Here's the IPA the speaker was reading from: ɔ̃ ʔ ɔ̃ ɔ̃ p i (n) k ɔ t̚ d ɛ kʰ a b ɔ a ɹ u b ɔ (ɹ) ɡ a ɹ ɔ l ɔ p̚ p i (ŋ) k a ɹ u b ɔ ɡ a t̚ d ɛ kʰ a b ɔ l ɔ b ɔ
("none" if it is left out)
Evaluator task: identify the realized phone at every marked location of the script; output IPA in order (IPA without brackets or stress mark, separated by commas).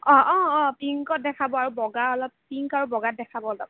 ŋ, none, ŋ